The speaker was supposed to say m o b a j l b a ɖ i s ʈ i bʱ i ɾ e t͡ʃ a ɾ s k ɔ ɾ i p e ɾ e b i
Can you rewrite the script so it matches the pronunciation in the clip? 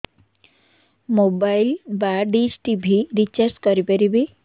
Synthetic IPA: m o b a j l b a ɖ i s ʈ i bʱ i ɾ i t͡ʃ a ɾ s k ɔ ɾ i p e ɾ i b i